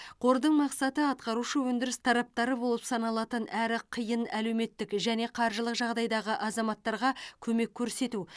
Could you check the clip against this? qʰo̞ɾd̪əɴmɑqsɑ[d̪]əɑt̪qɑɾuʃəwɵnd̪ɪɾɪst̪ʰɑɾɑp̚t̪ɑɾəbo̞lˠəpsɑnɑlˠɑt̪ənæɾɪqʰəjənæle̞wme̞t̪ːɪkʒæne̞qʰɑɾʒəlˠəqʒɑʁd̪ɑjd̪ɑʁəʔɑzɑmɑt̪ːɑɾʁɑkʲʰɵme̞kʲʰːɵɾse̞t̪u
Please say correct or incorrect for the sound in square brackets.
incorrect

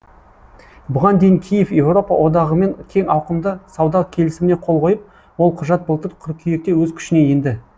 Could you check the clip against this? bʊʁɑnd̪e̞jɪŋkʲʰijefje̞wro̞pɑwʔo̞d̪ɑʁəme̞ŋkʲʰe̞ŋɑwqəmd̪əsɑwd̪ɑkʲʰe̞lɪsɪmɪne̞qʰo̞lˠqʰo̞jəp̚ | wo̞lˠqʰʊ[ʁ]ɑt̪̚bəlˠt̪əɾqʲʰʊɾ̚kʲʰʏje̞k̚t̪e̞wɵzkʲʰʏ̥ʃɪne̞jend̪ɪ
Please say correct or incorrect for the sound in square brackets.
incorrect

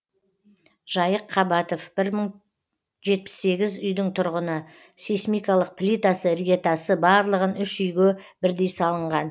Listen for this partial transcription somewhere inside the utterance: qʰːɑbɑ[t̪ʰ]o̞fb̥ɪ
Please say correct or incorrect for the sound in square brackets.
incorrect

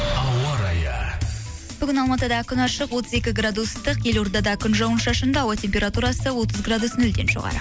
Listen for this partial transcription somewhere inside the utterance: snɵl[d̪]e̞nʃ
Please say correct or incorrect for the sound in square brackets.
correct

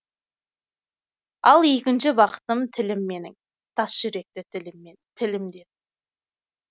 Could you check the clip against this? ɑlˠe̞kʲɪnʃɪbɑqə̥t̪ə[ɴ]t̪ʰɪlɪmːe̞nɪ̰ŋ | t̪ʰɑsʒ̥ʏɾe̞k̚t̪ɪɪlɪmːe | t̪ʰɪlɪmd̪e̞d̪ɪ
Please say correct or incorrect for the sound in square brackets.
incorrect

